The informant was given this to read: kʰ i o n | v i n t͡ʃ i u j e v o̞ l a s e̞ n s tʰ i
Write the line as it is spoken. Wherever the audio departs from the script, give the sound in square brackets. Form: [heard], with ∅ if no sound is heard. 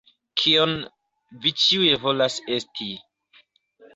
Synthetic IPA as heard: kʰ i o n | v i [∅] t͡ʃ i u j e v o̞ l a s e̞ [∅] s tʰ i